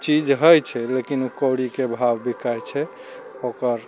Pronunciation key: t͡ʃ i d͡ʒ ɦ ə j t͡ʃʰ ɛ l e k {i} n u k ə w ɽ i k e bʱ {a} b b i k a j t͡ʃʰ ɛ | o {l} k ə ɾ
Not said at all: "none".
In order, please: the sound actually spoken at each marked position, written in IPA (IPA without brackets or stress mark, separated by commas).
i, a, none